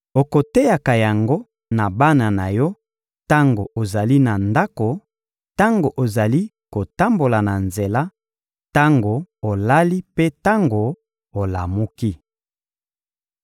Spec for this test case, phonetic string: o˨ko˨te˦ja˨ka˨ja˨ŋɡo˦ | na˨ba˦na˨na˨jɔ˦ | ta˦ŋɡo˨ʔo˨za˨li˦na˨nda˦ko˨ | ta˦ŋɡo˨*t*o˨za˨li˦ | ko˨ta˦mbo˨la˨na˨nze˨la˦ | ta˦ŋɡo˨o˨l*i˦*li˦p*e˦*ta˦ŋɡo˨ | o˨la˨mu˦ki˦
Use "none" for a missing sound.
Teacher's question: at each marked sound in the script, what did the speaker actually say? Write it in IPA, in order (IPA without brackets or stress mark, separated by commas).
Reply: ʔ, a˦, e˦